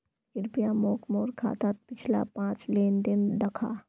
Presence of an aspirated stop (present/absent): present